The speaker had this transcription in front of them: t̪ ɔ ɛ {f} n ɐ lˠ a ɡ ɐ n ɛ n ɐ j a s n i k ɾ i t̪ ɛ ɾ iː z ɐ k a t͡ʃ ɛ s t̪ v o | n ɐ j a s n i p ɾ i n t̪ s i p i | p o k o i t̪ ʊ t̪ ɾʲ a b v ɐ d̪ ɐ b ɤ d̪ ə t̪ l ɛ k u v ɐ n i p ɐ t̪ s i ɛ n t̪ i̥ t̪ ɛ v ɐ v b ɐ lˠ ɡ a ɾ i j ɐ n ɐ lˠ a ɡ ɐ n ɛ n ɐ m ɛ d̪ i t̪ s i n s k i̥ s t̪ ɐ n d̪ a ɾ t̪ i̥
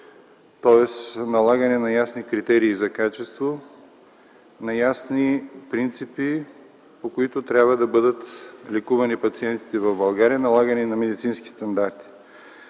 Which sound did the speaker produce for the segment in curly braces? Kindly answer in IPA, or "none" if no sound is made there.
s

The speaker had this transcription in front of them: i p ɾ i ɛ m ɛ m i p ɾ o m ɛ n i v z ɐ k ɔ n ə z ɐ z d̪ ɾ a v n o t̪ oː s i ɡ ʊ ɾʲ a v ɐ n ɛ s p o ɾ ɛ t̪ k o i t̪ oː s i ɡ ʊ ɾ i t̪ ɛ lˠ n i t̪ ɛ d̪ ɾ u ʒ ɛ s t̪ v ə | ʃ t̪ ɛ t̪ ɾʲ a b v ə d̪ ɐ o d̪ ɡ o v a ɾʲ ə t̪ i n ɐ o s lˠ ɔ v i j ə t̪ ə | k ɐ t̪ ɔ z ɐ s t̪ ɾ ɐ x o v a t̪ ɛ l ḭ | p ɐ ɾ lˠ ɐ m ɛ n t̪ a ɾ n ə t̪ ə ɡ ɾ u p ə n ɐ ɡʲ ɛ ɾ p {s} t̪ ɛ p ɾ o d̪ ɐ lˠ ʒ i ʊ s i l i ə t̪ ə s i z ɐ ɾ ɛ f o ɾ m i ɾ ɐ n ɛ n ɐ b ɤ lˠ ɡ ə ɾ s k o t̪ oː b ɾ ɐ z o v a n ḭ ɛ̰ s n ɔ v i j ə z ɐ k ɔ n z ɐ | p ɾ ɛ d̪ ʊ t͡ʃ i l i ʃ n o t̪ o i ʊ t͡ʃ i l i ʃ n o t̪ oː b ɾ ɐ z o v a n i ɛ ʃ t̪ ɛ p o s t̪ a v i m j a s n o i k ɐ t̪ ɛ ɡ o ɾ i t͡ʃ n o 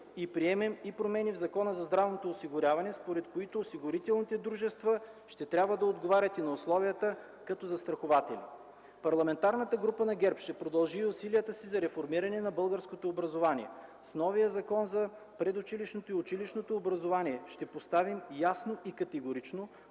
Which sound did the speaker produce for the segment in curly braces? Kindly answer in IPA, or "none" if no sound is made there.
ʃ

